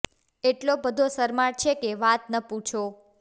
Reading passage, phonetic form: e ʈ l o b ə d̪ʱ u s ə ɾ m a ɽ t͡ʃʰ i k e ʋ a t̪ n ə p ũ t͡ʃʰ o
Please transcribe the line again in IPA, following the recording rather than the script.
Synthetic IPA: e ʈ l o b ə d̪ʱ o s ə ɾ m a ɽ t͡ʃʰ e k e ʋ a t̪ n ə p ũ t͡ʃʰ o